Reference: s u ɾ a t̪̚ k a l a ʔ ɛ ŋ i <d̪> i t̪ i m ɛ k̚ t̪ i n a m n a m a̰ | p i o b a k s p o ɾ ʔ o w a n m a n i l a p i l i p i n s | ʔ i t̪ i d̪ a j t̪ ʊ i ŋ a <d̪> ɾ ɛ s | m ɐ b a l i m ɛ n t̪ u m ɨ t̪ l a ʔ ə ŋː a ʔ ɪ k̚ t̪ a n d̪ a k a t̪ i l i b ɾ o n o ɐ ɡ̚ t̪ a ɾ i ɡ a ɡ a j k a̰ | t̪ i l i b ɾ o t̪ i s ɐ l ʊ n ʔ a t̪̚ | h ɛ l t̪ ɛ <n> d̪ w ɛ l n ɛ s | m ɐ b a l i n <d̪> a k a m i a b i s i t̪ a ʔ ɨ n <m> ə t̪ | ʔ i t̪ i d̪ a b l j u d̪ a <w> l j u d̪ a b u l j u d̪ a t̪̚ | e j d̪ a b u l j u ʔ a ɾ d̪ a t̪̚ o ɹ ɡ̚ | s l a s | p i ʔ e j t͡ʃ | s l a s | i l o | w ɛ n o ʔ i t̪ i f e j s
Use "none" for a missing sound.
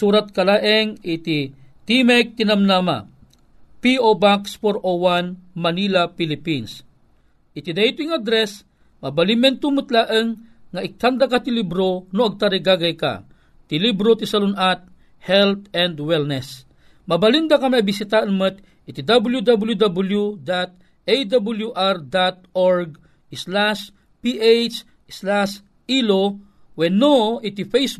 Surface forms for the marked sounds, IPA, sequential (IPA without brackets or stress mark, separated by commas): t̪, d̪, n, d̪, m, b